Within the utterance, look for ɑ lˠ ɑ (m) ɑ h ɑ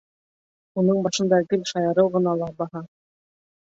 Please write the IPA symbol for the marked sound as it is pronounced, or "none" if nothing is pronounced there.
b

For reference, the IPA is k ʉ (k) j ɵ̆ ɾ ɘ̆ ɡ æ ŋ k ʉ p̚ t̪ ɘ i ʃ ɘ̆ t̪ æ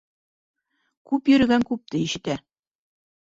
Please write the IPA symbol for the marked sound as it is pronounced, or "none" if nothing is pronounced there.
p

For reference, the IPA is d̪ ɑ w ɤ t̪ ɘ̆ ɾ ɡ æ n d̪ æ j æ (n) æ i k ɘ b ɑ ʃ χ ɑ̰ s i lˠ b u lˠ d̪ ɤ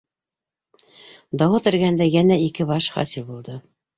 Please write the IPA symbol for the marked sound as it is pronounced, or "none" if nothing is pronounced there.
n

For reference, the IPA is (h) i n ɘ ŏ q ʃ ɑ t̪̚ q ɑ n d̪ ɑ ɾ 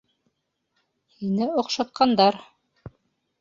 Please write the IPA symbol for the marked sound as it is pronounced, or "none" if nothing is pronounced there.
h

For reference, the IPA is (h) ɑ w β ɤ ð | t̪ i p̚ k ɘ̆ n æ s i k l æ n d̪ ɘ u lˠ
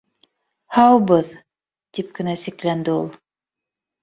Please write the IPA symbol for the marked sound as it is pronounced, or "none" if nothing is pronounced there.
h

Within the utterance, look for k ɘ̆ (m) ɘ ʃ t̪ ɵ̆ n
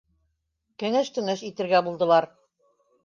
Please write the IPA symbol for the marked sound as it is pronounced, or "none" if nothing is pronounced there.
ŋ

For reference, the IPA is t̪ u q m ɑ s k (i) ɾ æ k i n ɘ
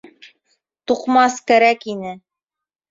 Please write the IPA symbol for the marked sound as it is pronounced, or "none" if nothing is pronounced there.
æ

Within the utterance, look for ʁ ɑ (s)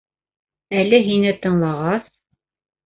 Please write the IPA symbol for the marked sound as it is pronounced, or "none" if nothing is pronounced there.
s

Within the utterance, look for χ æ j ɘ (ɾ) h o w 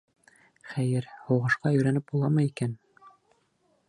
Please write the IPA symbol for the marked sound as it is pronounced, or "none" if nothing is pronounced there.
ɾ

